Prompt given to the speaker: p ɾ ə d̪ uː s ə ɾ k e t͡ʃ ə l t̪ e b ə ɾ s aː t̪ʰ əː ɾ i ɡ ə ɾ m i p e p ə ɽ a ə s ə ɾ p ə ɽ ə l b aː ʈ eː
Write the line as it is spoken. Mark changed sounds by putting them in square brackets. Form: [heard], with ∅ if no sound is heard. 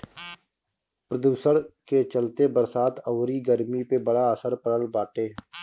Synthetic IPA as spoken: p ɾ ə d̪ uː s ə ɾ k e t͡ʃ ə l t̪ e b ə ɾ s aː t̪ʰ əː ɾ i ɡ ə ɾ m i p e [b] ə ɽ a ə s ə ɾ p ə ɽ ə l b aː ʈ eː